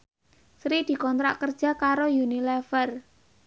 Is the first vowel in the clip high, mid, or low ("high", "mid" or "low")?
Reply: high